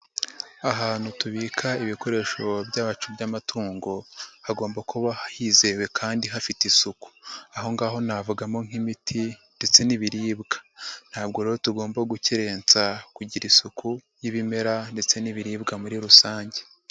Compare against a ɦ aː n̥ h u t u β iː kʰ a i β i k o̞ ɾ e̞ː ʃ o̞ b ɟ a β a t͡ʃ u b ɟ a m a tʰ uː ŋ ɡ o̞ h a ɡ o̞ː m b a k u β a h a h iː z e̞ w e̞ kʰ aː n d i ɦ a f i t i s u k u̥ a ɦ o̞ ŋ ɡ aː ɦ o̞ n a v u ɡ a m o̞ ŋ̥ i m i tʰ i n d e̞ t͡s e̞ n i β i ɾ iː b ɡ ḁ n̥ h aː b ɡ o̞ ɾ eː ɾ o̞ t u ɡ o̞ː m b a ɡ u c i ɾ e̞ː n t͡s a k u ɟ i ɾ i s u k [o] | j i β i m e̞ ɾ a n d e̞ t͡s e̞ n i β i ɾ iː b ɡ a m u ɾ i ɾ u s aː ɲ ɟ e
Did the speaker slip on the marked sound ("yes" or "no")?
yes